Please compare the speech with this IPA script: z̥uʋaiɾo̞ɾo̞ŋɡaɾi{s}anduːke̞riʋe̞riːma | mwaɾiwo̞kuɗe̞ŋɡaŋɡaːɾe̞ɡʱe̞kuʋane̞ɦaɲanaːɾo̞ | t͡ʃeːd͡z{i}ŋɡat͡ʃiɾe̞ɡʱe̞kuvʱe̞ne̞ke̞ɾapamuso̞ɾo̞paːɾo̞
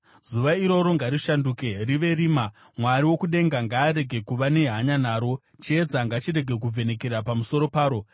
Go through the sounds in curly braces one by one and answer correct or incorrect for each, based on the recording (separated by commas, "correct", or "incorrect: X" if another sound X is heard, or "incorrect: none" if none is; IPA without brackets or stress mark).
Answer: incorrect: ʃ, incorrect: a